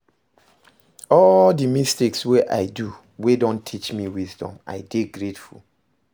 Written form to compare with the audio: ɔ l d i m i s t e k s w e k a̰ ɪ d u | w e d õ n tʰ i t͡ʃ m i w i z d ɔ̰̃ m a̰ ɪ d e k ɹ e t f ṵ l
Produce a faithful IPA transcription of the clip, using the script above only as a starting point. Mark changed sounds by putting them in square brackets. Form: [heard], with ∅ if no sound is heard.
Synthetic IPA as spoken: ɔ l d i m i s t e k s w e [ʔ] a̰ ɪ d u | w e d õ n tʰ i t͡ʃ m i w i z d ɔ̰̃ m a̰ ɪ d e [ɡ] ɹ e t f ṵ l